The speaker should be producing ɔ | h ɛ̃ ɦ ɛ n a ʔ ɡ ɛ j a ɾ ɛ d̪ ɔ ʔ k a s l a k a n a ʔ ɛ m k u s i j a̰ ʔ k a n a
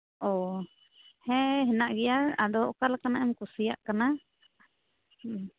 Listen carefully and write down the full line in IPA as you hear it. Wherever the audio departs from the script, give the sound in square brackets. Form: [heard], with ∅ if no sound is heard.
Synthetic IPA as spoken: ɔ | h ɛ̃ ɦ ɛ n a ʔ ɡ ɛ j a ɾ [a] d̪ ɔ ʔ k a [∅] l a k a n a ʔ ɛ m k u s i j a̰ ʔ k a n a